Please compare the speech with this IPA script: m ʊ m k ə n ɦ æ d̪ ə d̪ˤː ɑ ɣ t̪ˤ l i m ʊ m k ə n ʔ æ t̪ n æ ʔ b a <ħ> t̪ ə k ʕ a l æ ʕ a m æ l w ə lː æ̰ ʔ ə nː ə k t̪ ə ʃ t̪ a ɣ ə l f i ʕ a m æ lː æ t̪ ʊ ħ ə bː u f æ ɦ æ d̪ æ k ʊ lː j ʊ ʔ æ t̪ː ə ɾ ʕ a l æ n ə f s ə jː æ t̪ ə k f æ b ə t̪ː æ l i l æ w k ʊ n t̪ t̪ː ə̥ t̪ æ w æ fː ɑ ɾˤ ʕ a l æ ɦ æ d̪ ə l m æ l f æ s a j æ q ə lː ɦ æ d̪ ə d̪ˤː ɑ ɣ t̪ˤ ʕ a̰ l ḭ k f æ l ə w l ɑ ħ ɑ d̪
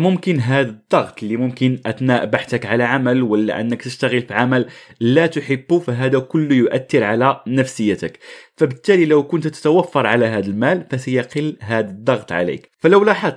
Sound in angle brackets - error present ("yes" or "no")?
no